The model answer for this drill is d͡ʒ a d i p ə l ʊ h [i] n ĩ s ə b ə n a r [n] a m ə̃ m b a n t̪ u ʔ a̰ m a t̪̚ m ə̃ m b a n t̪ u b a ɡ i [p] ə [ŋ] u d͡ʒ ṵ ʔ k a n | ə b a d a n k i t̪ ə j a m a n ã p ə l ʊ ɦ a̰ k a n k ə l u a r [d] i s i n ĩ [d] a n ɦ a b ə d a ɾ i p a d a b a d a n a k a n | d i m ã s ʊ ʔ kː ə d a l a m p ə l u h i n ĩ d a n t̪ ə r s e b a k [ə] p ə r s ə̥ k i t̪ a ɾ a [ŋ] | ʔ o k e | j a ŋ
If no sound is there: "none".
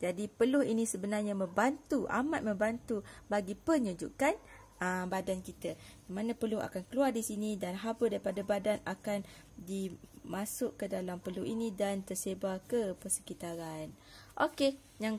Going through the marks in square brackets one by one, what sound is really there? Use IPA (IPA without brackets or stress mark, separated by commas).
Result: i, ɲ, p, ɲ, d, d, ə, n